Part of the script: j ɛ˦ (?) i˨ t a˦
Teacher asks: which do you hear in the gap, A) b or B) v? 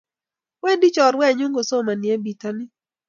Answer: A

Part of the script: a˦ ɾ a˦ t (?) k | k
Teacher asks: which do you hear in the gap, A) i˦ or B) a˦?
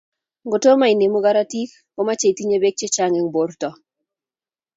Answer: A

